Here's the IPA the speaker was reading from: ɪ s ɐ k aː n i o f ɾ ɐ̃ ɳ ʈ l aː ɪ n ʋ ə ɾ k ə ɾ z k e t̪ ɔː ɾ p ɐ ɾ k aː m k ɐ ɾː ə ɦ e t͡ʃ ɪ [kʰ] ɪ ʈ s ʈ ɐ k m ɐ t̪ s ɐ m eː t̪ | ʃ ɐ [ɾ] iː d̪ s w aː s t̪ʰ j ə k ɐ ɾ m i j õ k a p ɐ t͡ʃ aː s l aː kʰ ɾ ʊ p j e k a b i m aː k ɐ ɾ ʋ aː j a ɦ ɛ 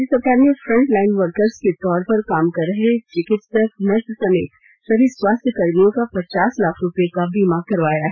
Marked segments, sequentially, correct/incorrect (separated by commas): incorrect, correct